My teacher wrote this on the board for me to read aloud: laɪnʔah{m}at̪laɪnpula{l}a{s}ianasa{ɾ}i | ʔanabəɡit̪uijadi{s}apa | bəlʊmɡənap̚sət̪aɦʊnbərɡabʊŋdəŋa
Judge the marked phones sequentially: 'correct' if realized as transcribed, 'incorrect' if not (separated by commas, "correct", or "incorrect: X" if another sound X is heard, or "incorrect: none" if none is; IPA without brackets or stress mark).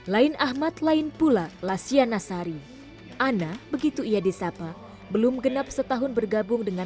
correct, correct, correct, correct, correct